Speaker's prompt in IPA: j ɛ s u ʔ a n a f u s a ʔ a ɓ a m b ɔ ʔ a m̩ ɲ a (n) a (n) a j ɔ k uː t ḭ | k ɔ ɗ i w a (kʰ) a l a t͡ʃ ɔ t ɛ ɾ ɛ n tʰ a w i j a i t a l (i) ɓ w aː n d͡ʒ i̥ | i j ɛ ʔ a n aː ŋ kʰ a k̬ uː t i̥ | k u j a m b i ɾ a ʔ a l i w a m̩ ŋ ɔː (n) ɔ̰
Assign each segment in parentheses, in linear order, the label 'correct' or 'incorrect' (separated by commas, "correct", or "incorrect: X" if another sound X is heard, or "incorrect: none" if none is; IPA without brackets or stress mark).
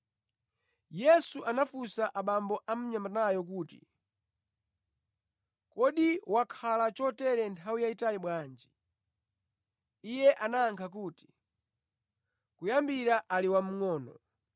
incorrect: m, correct, correct, correct, correct